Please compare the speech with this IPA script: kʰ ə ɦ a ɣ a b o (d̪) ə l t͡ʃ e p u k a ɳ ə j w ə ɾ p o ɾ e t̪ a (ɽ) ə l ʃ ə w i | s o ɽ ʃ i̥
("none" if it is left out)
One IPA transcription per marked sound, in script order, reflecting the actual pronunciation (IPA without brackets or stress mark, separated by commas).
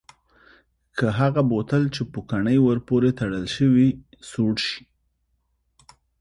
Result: t̪, ɽ